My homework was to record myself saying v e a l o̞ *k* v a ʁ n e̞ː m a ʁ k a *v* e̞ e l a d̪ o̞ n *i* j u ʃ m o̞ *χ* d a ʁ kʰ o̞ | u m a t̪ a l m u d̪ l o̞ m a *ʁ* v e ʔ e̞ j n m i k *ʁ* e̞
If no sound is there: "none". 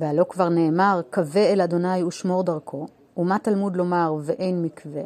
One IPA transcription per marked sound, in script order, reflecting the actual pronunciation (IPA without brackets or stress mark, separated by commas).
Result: k, v, a, ʁ, ʁ, v